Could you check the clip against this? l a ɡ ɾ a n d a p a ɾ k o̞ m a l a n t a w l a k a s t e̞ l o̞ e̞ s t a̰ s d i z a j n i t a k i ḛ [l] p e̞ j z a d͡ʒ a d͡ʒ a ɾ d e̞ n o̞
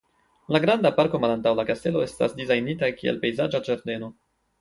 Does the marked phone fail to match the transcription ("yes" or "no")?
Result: no